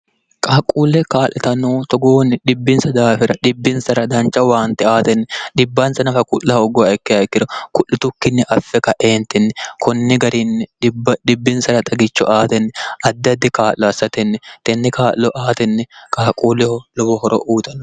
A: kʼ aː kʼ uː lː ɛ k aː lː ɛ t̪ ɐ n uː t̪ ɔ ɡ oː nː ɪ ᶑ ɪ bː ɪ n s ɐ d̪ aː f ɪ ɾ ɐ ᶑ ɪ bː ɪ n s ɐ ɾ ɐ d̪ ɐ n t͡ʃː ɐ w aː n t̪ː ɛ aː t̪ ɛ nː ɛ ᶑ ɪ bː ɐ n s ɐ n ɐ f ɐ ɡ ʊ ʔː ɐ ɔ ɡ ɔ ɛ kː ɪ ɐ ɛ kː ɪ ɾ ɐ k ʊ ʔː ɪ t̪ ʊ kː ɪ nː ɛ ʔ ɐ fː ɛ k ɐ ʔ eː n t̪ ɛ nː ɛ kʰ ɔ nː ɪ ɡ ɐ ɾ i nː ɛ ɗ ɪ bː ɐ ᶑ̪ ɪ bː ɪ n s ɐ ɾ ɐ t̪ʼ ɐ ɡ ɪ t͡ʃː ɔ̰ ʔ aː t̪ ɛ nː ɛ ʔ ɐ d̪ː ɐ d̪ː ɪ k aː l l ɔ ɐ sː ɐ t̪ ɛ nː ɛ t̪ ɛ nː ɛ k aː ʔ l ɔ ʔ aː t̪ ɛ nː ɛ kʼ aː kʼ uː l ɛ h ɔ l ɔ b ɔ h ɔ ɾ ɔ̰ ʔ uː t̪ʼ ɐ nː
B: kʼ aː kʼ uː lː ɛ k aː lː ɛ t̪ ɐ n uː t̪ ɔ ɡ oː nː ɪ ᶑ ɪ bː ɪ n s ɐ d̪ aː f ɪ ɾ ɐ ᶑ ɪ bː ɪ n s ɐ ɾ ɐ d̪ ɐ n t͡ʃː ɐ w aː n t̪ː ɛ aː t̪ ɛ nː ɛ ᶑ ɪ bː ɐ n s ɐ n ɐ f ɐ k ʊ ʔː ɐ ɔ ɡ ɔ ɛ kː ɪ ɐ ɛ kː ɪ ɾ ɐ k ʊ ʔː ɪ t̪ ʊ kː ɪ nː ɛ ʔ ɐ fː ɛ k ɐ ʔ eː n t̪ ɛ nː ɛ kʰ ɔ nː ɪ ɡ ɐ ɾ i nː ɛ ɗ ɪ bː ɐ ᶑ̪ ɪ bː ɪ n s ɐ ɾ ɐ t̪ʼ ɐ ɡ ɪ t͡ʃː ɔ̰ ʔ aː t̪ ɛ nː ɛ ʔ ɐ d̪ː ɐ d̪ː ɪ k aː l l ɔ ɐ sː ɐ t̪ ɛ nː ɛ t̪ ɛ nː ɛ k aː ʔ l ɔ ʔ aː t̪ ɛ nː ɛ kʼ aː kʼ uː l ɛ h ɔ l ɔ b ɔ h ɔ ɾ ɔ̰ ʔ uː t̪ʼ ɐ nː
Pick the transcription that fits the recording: B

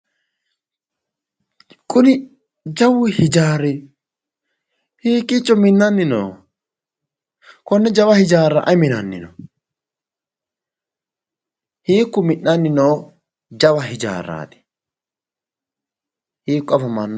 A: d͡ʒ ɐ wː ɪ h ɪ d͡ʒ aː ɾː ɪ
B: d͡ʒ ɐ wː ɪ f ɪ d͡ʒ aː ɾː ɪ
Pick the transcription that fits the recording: A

